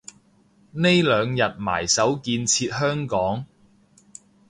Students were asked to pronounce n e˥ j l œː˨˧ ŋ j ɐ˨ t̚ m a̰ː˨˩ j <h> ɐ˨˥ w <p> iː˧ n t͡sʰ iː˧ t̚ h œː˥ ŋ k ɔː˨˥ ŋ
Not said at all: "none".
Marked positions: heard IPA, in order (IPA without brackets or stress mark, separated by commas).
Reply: s, k